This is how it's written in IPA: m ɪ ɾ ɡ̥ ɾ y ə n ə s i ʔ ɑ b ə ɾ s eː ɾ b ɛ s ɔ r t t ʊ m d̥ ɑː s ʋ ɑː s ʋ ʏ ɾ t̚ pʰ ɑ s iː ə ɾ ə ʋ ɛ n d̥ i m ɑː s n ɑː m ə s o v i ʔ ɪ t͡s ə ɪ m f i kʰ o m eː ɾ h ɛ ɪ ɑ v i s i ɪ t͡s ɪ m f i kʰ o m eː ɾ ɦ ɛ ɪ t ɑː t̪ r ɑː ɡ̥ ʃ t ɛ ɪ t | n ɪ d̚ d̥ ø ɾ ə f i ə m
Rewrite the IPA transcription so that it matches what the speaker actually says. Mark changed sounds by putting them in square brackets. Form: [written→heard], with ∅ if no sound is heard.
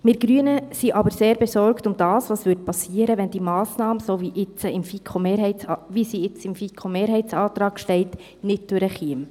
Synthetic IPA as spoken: m ɪ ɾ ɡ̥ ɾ y ə n ə s i ʔ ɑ b ə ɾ s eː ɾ b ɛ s ɔ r [t→k] t ʊ m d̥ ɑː s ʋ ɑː s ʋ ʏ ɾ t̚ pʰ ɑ s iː ə ɾ ə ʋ ɛ n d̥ i m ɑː s n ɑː m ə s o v i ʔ ɪ t͡s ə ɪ m f i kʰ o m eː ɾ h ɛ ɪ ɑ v i s i ɪ t͡s ɪ m f i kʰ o m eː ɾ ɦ ɛ ɪ [t→t͡s] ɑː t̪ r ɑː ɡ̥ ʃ t ɛ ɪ t | n ɪ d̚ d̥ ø ɾ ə [f→χ] i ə m